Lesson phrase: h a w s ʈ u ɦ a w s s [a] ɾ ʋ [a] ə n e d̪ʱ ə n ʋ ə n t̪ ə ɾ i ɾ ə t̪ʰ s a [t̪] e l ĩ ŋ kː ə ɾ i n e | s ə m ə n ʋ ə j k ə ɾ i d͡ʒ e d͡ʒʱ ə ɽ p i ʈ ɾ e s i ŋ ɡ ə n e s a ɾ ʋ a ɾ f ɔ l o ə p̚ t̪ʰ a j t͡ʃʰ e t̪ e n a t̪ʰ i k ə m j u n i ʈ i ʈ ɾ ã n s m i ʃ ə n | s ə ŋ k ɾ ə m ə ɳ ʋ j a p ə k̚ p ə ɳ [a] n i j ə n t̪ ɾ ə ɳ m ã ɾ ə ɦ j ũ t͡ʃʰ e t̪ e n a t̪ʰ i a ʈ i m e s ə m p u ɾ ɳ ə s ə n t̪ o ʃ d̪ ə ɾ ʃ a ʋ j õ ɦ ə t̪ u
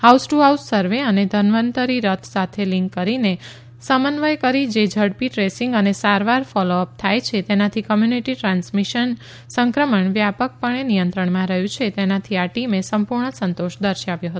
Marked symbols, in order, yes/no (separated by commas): no, no, no, no